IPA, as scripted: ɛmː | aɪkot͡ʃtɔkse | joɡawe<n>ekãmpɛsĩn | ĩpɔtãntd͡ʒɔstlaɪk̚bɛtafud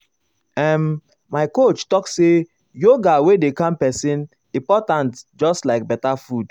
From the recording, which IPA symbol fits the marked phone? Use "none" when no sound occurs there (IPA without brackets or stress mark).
d